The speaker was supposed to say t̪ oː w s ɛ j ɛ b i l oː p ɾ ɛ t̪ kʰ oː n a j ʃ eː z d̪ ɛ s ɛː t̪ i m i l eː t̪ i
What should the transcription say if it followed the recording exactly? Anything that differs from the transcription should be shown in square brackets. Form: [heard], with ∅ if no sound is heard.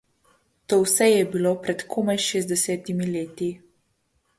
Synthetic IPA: t̪ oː w s ɛ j ɛ b i l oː p ɾ ɛ t̪ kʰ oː [m] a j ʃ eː z d̪ ɛ s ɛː t̪ i m i l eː t̪ i